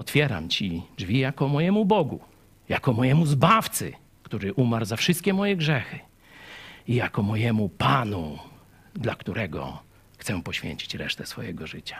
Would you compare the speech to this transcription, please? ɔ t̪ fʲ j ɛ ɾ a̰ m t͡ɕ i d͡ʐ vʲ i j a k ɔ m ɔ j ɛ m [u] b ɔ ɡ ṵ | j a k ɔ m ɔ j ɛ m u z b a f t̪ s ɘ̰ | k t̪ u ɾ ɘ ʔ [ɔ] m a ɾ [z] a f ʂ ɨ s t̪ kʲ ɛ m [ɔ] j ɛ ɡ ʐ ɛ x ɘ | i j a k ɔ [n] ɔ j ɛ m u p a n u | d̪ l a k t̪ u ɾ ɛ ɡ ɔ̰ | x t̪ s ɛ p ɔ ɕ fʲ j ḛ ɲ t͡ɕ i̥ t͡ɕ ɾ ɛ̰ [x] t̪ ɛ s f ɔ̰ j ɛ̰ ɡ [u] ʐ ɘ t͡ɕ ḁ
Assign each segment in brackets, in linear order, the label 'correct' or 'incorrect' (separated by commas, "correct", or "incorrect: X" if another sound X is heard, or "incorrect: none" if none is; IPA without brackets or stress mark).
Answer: correct, incorrect: u, correct, correct, incorrect: m, incorrect: ʂ, incorrect: ɔ